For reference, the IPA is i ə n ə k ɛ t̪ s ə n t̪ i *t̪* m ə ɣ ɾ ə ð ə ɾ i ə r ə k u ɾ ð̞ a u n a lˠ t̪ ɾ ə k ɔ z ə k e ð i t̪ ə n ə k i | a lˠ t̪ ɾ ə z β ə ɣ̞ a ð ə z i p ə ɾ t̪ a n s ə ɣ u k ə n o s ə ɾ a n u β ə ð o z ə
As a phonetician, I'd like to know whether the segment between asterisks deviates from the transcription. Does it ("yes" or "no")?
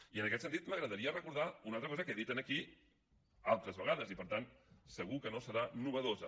no